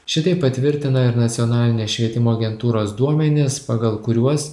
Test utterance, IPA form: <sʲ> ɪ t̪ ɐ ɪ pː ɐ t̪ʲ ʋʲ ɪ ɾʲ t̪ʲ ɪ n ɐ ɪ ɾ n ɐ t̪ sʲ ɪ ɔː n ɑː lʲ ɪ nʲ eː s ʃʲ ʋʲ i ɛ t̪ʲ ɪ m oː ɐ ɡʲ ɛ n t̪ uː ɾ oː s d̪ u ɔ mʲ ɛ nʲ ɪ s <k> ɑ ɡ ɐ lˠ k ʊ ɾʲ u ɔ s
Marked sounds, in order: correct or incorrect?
incorrect: ʃʲ, incorrect: p

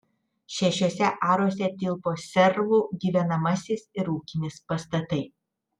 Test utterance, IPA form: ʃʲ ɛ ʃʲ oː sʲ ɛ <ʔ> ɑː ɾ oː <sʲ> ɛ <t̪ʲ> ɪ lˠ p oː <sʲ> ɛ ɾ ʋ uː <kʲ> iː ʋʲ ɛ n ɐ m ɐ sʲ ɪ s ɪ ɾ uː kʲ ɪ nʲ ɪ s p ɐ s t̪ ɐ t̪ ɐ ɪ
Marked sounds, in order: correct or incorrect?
correct, correct, correct, correct, incorrect: ɡʲ

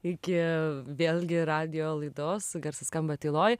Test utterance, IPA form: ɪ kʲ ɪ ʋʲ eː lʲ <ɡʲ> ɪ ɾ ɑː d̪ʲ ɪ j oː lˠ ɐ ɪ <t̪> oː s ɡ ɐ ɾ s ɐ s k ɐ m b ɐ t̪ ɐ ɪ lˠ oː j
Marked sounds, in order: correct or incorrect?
correct, incorrect: d̪

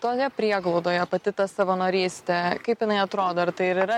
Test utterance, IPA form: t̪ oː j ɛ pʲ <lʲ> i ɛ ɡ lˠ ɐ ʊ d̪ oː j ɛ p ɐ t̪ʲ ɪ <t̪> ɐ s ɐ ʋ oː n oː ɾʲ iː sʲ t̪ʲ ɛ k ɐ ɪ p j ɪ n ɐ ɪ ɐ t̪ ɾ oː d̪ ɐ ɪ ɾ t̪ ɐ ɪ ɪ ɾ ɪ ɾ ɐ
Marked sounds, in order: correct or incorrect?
incorrect: ɾʲ, correct

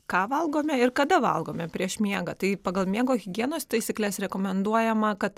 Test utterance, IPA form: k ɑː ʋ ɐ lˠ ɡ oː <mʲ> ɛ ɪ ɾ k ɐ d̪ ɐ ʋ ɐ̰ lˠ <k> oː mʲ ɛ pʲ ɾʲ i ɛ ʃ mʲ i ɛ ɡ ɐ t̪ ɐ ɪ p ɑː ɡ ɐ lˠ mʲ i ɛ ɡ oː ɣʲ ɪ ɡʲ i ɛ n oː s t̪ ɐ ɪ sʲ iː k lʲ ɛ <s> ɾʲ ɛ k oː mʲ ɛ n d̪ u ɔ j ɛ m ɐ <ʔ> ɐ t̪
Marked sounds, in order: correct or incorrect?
correct, incorrect: ɡ, correct, incorrect: k

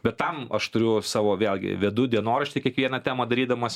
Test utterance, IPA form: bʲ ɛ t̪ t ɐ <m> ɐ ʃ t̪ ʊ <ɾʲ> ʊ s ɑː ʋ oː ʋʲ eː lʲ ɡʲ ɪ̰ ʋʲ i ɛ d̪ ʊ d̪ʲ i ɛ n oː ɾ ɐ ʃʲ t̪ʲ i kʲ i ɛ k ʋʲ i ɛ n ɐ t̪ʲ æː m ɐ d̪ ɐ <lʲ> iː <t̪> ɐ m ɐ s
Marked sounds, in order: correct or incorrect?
correct, correct, incorrect: ɾʲ, incorrect: d̪

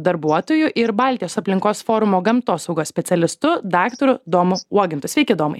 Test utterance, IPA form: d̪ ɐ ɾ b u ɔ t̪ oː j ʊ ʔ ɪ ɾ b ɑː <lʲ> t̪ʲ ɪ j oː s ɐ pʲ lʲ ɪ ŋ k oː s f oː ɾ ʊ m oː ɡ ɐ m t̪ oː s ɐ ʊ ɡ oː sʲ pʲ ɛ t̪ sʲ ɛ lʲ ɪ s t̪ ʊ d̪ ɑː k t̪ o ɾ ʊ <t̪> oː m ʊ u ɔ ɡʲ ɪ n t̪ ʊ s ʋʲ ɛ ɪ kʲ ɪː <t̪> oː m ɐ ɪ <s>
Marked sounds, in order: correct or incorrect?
correct, incorrect: d̪, incorrect: d̪, incorrect: none

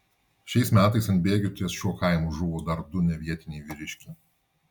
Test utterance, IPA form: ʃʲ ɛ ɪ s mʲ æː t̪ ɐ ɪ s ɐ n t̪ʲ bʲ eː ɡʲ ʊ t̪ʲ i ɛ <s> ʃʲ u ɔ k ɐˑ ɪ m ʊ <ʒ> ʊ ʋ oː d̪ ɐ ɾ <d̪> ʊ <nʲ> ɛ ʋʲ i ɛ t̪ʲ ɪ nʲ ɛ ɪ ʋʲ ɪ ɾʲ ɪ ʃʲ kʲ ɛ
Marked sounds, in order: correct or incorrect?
correct, correct, correct, correct

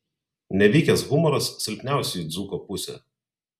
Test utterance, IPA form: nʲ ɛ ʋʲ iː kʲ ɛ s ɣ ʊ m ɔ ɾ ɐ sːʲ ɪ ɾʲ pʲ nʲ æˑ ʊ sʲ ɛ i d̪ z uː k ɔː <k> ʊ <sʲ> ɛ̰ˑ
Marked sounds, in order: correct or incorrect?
incorrect: p, correct

